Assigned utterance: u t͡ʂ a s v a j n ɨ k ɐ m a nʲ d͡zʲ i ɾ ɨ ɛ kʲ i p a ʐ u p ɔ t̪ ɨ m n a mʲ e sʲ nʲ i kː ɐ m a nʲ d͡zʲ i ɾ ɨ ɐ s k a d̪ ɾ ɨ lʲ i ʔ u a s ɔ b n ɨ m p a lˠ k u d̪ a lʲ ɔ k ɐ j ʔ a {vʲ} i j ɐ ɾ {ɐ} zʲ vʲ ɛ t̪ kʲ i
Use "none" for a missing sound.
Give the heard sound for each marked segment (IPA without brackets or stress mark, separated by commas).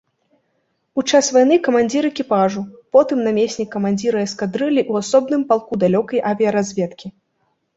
vʲ, a